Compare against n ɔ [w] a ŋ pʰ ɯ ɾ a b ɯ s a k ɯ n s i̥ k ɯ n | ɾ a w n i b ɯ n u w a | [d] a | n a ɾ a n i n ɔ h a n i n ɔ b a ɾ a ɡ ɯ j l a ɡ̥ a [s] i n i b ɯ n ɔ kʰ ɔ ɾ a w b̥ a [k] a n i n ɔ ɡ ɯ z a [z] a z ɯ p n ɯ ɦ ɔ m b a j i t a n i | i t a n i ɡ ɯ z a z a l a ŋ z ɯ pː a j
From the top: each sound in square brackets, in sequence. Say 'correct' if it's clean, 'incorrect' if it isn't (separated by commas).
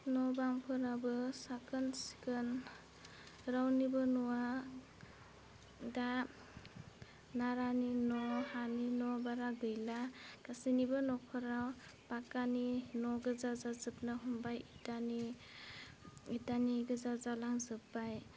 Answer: incorrect, correct, correct, correct, correct